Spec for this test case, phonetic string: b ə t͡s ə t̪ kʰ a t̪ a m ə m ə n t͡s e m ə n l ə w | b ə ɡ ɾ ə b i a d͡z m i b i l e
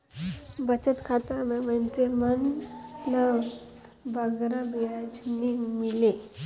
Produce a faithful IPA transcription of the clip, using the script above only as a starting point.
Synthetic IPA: b ə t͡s ə t̪ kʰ a t̪ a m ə m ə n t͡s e m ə n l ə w | b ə ɡ ɾ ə b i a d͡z n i m i l e